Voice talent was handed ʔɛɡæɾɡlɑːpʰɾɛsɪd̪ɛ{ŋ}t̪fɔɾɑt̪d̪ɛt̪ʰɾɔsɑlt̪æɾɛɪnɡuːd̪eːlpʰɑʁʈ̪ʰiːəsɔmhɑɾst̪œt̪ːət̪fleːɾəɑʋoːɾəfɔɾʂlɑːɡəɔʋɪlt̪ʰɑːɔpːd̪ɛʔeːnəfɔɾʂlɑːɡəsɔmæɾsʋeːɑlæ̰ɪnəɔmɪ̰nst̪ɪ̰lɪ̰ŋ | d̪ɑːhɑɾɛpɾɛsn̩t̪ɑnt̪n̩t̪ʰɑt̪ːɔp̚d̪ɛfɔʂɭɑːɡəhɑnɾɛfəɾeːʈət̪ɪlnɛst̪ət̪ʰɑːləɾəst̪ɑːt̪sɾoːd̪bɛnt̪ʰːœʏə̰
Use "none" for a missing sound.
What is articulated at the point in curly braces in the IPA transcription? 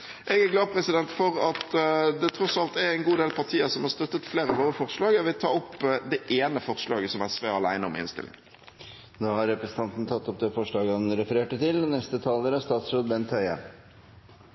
n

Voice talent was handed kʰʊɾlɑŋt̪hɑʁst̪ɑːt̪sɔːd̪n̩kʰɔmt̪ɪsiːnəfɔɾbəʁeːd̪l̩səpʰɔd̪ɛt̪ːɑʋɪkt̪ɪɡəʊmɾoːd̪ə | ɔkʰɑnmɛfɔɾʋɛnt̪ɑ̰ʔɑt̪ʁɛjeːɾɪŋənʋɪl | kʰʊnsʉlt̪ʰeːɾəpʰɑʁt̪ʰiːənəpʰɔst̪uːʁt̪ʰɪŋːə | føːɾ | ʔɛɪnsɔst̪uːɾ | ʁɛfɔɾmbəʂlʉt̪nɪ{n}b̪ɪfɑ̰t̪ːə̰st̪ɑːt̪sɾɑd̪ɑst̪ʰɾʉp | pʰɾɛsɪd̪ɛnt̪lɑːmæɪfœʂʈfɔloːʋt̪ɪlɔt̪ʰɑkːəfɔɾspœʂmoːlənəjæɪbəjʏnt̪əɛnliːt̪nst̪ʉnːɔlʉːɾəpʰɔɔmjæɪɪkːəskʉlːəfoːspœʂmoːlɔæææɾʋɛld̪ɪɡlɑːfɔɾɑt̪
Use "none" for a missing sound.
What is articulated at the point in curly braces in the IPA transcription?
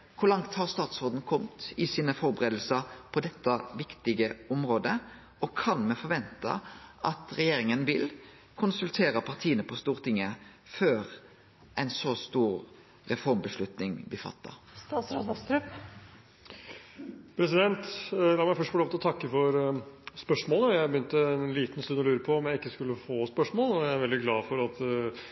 ŋ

